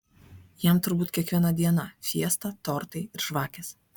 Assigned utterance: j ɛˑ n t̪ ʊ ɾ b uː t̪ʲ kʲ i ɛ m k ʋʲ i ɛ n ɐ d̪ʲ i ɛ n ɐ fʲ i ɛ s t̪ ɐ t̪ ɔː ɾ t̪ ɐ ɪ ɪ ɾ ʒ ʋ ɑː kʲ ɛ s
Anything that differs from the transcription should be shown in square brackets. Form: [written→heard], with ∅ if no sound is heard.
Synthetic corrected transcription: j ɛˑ [n→m] t̪ ʊ ɾ b uː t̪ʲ kʲ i ɛ [m→∅] k ʋʲ i ɛ n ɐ d̪ʲ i ɛ n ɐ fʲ i ɛ s t̪ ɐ t̪ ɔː ɾ t̪ ɐ ɪ ɪ ɾ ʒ ʋ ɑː kʲ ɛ s